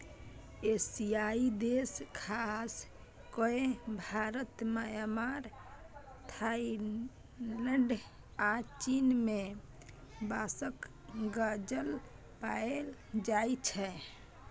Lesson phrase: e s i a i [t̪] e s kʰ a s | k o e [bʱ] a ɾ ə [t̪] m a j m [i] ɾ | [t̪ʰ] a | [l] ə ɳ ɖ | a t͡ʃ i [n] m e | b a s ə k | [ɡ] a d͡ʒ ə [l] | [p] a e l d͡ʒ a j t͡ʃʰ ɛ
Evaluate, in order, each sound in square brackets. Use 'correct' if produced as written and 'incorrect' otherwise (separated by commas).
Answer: incorrect, correct, correct, incorrect, correct, correct, correct, correct, correct, correct